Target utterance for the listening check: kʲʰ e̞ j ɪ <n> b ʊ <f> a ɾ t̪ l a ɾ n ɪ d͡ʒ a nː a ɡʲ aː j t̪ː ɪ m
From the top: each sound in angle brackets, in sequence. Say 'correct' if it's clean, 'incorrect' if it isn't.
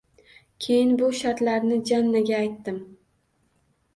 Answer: correct, incorrect

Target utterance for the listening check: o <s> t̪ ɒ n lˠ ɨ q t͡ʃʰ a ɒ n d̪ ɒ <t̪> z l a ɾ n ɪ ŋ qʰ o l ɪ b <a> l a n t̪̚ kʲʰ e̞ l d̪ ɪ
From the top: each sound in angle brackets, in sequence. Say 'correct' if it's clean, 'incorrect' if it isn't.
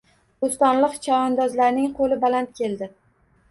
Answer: correct, incorrect, correct

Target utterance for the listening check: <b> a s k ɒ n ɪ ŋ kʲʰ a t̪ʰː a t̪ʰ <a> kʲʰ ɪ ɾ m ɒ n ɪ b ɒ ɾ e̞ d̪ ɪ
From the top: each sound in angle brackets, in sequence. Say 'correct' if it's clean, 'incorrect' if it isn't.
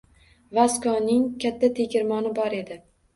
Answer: incorrect, incorrect

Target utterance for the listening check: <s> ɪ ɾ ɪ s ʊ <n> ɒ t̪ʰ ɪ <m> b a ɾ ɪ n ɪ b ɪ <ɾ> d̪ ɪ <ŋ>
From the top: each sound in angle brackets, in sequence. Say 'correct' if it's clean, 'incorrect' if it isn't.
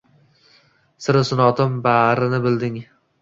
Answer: correct, correct, correct, incorrect, correct

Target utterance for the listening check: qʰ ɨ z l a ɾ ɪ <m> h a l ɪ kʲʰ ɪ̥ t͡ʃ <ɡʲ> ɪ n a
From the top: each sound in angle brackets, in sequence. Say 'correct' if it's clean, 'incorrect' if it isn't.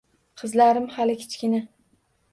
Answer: correct, incorrect

